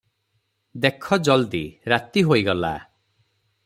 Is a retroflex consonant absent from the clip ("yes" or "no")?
yes